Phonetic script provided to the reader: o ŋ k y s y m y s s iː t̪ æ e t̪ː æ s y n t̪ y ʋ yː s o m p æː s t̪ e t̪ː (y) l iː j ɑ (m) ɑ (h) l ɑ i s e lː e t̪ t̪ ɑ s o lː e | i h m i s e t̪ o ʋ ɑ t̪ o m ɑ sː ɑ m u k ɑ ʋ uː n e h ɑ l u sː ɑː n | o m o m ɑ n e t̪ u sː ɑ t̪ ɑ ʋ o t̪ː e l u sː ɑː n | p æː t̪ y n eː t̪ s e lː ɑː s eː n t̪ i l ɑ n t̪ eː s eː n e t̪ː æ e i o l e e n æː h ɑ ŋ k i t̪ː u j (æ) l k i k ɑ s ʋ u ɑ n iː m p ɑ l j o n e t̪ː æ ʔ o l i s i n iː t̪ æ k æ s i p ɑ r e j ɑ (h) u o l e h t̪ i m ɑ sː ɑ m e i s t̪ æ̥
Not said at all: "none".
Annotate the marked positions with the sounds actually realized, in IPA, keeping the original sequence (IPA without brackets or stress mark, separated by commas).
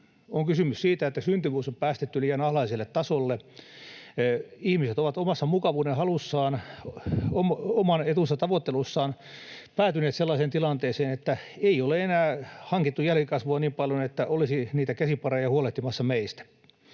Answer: y, n, h, æ, h